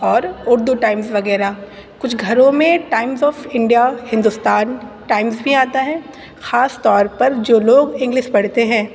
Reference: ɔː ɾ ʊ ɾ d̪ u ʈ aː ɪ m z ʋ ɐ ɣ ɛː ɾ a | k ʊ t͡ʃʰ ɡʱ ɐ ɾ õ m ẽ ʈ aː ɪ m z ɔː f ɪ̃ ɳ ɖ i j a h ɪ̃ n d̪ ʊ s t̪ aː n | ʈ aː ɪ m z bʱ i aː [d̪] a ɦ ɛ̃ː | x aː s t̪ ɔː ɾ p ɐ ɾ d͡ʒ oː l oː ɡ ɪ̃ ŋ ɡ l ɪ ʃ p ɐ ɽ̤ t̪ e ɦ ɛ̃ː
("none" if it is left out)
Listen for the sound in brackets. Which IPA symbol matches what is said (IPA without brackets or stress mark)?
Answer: t̪